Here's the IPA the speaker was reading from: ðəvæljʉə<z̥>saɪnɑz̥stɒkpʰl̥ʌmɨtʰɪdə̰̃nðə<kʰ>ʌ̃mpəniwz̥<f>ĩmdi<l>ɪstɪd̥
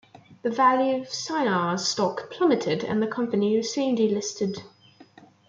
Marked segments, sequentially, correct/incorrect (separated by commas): incorrect, correct, incorrect, correct